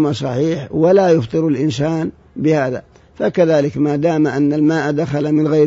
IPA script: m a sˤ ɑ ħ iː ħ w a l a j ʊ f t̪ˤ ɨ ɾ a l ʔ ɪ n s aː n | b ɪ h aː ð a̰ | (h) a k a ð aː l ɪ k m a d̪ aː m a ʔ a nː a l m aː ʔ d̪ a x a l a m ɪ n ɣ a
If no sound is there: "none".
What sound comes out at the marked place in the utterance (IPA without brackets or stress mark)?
f